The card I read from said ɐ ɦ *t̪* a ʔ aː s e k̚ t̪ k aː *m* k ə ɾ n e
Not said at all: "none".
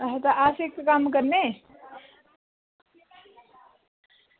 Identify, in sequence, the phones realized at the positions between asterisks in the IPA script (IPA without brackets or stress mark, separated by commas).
t̪, m